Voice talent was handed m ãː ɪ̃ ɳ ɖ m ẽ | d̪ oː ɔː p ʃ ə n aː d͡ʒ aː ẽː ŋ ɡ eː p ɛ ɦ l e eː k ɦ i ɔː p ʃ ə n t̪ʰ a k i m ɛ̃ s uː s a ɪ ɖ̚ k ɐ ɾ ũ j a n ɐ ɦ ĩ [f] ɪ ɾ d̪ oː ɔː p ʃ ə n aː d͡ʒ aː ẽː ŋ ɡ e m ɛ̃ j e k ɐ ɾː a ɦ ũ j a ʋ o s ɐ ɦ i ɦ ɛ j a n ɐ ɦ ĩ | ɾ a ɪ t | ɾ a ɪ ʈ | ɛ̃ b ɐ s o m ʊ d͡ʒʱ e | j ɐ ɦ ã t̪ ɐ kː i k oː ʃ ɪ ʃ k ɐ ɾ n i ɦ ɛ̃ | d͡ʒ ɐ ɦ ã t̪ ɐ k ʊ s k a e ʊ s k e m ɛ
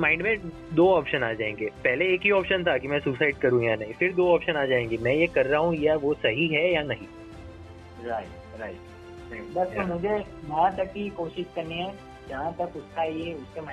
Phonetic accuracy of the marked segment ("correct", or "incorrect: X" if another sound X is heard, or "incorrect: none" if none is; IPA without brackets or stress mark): correct